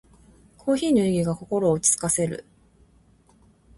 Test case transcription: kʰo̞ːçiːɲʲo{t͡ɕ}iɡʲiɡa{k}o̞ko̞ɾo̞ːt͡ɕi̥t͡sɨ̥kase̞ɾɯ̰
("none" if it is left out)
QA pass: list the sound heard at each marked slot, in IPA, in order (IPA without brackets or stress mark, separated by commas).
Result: none, k